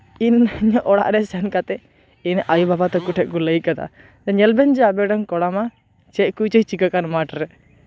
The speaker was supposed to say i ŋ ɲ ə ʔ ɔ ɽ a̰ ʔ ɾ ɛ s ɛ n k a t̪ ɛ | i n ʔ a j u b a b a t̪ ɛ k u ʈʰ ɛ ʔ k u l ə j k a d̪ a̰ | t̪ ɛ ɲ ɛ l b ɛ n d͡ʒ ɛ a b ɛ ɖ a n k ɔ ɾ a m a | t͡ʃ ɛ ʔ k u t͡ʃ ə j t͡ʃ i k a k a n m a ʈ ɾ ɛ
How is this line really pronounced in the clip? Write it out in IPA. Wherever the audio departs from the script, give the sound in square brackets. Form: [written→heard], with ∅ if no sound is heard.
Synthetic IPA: i [ŋ→n] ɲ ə ʔ ɔ ɽ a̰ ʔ ɾ ɛ s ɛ n k a t̪ ɛ | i n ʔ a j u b a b a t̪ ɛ k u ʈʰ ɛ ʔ k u l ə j k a d̪ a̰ | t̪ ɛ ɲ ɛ l b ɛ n d͡ʒ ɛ a b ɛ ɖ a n k ɔ [ɾ→ɽ] a m a | t͡ʃ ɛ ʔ k u t͡ʃ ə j t͡ʃ i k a k a n m a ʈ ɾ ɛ